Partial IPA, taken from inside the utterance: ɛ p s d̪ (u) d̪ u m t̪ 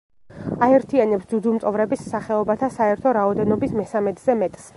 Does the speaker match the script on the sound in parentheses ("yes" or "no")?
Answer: yes